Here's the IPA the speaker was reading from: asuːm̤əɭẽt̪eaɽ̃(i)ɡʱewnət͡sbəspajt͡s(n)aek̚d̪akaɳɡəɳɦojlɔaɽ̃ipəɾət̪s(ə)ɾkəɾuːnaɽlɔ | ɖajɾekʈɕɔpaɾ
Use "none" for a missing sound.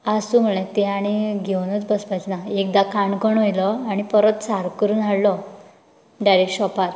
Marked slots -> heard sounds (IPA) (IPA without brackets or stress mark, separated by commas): i, n, a